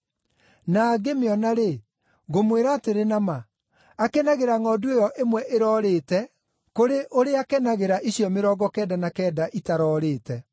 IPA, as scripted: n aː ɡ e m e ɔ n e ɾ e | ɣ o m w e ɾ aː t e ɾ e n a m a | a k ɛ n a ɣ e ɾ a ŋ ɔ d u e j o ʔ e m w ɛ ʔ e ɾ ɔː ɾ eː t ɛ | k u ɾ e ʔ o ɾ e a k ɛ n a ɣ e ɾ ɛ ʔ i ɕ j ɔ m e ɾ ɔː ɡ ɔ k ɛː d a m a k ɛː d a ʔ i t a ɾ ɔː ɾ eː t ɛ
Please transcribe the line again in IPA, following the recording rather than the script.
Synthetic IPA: n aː ɡ e m e ɔ n a ɾ e | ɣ o m w e ɾ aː t e ɾ e n a m a | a k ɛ n a ɣ e ɾ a ŋ ɔ d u e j ɔ ʔ e m w ɛ ʔ e ɾ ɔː ɾ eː t ɛ | k o ɾ e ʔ o ɾ e a k ɛ n a ɣ e ɾ a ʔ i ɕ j ɔ m e ɾ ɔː ɡ ɔ k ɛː d a n a k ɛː d a ʔ i t a ɾ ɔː ɾ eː t ɛ